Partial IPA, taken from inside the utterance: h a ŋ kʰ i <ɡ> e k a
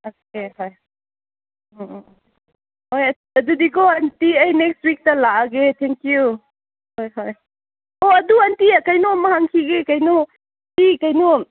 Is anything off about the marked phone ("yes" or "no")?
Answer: no